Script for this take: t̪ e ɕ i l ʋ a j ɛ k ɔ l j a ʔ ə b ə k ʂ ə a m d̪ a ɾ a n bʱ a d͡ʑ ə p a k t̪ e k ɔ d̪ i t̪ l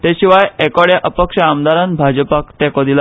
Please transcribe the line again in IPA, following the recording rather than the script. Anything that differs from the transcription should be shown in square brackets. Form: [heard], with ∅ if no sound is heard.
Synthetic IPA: t̪ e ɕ i [∅] ʋ a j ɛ k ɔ [ɽ] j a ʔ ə [p] ə k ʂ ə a m d̪ a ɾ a n bʱ a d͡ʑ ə p a k t̪ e k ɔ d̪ i [∅] l